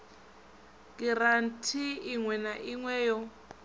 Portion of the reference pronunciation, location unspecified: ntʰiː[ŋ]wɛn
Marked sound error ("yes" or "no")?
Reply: no